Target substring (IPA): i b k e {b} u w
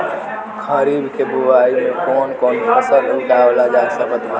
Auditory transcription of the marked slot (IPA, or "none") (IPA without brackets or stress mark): b